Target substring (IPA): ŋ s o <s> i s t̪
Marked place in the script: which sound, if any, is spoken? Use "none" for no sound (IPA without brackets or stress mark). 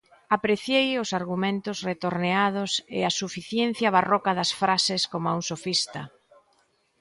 f